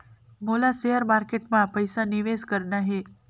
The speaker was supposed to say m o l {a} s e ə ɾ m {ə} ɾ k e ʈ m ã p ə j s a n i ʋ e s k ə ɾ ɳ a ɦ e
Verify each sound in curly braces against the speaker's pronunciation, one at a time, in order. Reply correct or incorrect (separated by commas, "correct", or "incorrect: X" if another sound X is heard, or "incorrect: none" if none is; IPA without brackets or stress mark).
correct, incorrect: a